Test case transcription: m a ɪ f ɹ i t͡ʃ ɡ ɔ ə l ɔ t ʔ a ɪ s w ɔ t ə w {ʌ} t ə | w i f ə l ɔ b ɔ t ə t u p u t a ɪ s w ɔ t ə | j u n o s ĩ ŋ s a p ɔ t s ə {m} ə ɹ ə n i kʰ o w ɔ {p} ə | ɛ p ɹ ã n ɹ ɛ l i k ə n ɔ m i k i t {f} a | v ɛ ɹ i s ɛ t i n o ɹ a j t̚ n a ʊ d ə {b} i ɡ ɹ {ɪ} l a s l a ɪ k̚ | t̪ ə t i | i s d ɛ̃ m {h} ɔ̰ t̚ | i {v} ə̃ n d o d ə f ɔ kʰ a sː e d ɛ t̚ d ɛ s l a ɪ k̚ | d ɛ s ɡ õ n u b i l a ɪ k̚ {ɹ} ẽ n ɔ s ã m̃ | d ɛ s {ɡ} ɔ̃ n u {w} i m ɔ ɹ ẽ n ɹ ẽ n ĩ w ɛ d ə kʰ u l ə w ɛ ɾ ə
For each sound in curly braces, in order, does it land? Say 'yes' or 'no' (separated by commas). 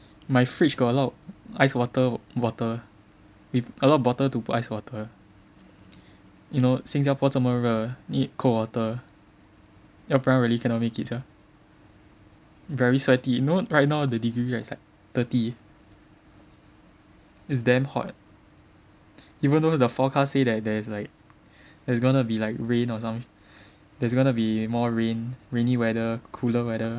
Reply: no, yes, no, no, no, no, yes, yes, yes, yes, no